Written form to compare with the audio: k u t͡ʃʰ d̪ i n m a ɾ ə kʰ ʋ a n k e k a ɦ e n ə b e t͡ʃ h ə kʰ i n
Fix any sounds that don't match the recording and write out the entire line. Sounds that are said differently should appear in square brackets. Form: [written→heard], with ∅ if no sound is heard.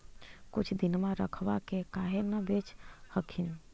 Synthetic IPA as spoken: k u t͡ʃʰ d̪ i n m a ɾ ə kʰ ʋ a [n→∅] k e k a ɦ e n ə b e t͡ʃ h ə kʰ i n